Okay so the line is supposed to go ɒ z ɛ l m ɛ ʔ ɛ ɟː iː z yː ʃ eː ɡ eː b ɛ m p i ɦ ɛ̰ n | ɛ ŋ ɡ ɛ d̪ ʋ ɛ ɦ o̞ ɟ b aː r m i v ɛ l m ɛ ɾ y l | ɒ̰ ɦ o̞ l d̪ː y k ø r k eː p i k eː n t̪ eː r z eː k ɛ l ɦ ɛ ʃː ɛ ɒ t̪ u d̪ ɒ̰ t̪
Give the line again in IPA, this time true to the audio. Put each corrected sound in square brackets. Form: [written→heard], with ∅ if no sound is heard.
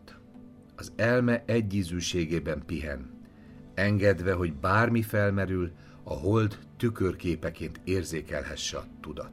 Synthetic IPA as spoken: ɒ z ɛ l m ɛ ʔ ɛ ɟː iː z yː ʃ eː ɡ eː b ɛ m p i ɦ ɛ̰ n | ɛ ŋ ɡ ɛ d̪ ʋ ɛ ɦ o̞ ɟ b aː r m i [v→f] ɛ l m ɛ ɾ y l | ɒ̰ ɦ o̞ l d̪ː y k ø r k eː p [i→ɛ] k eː n t̪ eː r z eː k ɛ l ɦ ɛ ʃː ɛ ɒ t̪ u d̪ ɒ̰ t̪